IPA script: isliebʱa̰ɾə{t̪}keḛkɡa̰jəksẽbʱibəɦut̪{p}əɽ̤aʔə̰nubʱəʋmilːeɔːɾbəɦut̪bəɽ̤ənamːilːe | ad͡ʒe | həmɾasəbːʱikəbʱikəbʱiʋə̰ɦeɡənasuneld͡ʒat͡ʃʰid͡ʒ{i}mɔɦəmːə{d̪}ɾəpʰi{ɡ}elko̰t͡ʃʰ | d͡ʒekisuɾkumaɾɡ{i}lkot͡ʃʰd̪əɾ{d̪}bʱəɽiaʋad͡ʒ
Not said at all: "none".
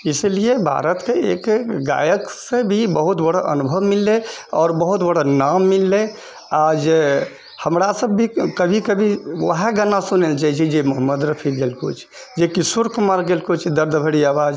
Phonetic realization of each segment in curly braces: t̪, b, e, d̪, ɡ, e, d̪

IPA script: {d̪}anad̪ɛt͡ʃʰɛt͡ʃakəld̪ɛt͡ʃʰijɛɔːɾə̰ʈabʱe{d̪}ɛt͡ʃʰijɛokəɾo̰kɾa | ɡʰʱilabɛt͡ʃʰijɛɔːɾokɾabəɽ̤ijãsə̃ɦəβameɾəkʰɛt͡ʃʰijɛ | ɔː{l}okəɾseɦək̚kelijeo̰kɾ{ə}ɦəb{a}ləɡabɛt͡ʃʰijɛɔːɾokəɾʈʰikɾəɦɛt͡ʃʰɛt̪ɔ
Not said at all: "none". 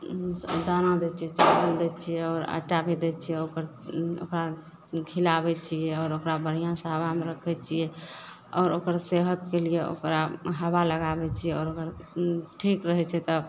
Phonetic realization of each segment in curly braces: d̪, d̪, ɾ, a, a

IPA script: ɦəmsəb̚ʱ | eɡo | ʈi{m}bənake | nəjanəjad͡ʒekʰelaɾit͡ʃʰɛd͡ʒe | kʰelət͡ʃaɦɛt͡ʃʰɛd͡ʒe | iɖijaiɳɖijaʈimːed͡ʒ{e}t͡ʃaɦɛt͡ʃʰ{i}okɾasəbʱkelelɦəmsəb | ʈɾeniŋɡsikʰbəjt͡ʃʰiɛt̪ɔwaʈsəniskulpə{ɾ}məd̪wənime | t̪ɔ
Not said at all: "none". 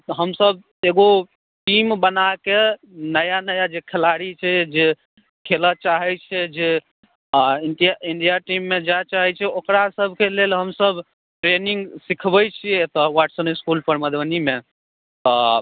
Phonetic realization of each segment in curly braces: m, a, ɛ, ɾ

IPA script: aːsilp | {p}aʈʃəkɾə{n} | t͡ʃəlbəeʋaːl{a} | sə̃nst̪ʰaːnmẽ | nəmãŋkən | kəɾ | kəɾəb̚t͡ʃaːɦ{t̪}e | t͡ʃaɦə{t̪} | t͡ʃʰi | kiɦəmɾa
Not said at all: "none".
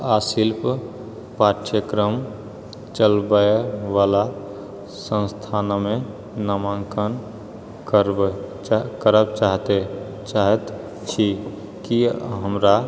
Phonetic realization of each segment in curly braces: p, m, a, t̪, t̪

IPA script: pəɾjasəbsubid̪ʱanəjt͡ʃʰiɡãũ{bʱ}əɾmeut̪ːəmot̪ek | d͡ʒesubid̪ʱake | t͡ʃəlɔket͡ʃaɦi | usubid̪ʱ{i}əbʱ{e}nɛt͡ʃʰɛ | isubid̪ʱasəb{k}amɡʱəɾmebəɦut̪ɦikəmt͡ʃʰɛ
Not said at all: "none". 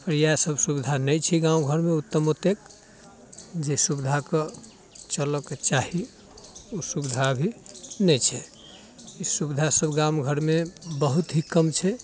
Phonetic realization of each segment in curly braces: ɡʱ, a, i, ɡ

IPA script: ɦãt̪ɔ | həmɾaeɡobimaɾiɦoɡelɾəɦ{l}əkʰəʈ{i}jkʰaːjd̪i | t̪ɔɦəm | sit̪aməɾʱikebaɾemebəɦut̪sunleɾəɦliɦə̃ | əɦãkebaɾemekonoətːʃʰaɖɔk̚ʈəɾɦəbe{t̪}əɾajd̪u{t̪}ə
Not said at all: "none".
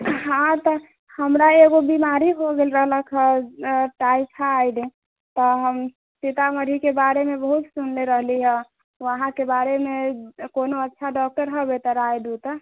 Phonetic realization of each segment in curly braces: l, a, t̪, t̪

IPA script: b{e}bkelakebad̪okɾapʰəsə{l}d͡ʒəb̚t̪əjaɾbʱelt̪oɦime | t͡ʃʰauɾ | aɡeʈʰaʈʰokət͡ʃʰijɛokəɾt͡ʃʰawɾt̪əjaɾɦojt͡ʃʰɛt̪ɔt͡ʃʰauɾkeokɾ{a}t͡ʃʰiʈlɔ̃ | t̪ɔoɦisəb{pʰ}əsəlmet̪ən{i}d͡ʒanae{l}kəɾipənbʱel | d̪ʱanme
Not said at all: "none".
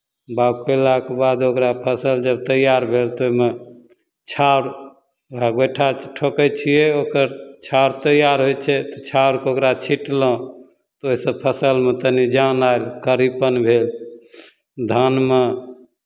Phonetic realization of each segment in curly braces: a, l, a, pʰ, i, l

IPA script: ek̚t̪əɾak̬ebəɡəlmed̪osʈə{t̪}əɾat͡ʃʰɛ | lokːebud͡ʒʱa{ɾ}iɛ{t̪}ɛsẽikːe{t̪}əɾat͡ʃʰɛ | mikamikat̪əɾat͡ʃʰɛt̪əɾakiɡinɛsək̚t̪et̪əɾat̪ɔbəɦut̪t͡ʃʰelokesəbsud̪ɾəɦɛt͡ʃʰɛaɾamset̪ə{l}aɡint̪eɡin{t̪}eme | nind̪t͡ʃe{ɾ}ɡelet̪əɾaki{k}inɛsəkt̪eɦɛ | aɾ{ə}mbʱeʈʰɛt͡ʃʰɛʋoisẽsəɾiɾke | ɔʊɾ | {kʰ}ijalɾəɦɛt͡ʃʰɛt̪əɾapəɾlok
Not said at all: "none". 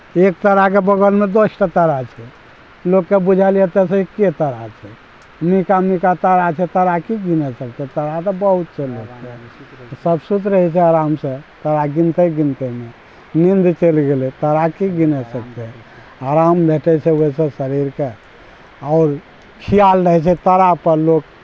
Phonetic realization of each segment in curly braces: t̪, l, t̪, t̪, ɾ, t̪, l, ɡ, a, kʰ

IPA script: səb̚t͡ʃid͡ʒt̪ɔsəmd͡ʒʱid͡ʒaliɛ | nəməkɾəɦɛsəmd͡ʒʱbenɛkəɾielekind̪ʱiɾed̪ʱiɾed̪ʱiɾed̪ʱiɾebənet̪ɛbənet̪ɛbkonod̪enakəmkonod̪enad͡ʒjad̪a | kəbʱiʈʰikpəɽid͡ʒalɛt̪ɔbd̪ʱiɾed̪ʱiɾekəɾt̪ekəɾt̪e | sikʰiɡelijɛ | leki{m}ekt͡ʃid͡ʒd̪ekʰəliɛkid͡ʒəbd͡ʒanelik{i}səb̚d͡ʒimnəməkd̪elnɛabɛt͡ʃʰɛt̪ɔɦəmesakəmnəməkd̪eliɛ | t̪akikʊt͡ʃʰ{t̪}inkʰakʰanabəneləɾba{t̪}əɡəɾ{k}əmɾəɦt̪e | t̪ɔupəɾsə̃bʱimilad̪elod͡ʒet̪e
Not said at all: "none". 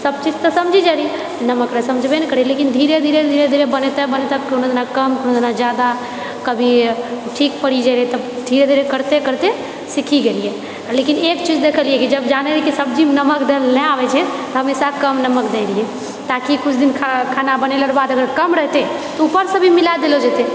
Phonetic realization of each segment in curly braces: n, i, d̪, d̪, k

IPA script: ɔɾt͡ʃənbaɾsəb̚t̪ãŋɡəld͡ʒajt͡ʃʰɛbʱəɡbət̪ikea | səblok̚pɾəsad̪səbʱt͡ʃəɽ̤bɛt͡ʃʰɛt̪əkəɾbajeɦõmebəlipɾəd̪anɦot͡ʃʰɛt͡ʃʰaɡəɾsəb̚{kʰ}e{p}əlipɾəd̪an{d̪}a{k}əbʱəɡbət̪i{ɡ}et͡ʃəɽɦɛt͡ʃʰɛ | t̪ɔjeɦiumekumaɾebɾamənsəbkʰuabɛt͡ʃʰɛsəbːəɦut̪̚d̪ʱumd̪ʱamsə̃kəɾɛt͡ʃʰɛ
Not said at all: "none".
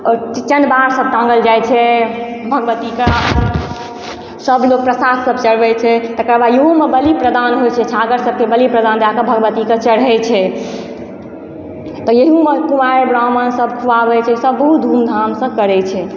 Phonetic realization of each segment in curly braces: k, b, d̪, k, k

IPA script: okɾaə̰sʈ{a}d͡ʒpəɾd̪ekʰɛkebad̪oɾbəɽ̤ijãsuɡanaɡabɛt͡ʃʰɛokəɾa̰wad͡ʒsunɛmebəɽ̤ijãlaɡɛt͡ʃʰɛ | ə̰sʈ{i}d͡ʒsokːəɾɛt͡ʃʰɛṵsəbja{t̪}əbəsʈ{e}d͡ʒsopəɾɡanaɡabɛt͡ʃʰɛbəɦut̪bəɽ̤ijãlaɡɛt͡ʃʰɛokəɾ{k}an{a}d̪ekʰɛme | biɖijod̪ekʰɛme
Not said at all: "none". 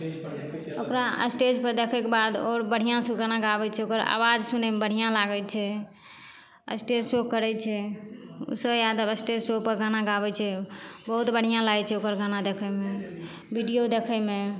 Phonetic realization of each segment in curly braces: e, e, d̪, e, ɡ, a

